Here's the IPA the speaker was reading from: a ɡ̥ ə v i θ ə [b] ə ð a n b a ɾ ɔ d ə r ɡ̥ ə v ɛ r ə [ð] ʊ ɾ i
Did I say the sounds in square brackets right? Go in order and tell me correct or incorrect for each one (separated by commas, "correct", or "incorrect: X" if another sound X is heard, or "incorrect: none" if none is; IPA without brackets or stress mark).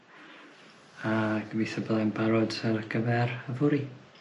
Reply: correct, incorrect: v